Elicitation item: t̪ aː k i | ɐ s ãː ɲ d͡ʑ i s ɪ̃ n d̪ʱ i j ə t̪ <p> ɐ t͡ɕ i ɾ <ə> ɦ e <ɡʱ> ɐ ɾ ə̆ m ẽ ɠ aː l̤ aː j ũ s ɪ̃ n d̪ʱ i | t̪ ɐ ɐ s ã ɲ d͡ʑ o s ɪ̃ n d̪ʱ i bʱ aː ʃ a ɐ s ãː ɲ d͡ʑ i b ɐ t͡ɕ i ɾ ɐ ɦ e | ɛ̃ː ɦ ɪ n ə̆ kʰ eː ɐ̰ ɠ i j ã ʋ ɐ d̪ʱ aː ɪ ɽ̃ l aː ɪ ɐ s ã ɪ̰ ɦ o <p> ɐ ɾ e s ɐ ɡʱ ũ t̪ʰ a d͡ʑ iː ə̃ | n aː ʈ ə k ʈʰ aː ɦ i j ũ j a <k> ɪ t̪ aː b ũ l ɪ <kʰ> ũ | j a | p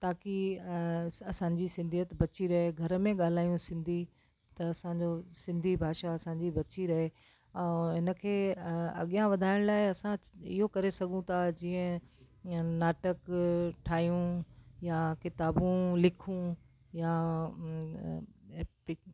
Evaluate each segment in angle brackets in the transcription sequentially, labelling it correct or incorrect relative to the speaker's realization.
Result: incorrect: b, incorrect: ɐ, correct, incorrect: k, correct, correct

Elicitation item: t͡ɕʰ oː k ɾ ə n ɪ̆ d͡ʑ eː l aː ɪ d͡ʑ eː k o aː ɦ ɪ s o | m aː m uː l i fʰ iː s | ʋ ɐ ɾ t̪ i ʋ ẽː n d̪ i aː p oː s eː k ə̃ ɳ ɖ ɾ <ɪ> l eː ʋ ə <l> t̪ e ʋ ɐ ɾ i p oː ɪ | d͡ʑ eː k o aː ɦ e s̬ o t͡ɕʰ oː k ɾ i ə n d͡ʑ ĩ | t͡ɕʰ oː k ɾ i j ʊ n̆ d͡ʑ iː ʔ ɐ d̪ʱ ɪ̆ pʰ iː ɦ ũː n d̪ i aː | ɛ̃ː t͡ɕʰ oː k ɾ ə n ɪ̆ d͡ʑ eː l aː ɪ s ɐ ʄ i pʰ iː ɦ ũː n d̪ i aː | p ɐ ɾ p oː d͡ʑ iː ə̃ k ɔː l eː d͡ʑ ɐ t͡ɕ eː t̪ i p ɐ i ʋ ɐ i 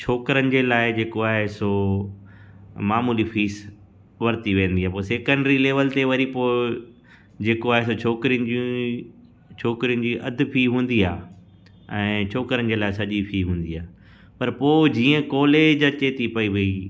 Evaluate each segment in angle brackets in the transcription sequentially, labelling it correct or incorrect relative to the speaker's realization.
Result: incorrect: i, correct

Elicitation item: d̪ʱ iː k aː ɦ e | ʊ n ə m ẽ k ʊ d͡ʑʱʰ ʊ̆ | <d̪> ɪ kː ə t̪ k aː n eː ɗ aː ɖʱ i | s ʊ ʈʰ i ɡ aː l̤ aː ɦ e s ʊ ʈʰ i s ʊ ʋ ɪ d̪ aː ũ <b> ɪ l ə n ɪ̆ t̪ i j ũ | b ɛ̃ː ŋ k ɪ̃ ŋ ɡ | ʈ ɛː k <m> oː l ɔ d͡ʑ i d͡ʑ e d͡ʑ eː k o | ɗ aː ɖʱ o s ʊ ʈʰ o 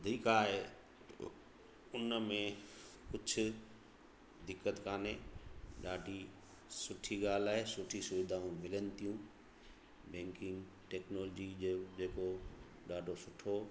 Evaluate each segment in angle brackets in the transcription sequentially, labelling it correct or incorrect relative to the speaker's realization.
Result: correct, incorrect: m, incorrect: n

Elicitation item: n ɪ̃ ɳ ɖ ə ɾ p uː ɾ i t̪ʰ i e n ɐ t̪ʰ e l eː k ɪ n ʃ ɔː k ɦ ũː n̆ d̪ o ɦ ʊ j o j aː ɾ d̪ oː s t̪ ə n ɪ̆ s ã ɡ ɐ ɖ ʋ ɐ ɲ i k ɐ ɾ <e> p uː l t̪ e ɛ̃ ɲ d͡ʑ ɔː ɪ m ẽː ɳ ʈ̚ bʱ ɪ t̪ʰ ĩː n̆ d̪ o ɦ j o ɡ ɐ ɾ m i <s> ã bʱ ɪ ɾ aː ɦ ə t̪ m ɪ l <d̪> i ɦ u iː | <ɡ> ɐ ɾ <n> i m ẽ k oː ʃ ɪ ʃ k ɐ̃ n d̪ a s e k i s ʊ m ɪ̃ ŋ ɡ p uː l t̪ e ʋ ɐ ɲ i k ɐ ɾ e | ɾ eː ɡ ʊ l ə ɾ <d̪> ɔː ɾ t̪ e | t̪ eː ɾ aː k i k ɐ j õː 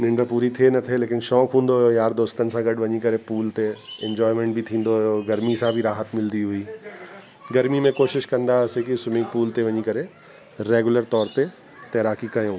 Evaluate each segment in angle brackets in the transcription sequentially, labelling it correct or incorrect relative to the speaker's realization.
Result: correct, correct, correct, correct, incorrect: m, incorrect: t̪

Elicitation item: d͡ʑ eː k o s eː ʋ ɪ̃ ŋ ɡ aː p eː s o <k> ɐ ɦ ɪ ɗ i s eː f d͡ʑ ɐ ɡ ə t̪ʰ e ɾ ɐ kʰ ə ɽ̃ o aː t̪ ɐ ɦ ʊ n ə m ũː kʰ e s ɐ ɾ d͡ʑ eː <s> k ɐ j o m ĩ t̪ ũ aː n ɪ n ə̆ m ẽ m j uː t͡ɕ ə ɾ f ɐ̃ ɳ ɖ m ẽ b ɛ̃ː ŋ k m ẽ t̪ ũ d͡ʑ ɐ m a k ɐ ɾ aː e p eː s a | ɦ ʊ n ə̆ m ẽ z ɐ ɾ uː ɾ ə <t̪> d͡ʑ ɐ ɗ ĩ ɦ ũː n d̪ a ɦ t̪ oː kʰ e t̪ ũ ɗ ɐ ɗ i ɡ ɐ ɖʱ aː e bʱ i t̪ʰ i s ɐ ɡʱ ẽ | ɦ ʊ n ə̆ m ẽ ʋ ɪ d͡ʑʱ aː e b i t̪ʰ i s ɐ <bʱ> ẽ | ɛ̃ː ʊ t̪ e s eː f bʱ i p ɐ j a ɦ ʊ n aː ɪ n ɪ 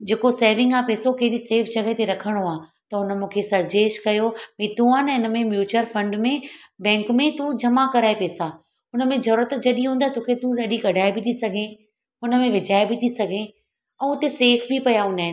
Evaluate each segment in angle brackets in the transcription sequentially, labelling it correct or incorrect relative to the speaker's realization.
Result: correct, incorrect: ʃ, correct, incorrect: ɡʱ

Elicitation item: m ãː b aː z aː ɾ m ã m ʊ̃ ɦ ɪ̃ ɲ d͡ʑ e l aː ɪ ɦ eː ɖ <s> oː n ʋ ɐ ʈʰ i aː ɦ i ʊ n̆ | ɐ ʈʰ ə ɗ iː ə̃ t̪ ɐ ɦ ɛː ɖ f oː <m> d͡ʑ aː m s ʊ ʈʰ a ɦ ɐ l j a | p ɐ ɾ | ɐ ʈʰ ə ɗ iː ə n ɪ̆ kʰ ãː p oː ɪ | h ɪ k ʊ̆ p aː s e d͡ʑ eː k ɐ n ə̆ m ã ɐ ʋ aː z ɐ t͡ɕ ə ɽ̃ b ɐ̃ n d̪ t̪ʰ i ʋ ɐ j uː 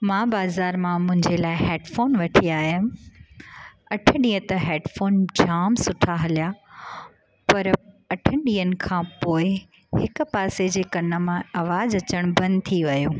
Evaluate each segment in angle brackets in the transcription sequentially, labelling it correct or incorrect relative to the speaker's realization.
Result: incorrect: f, incorrect: n

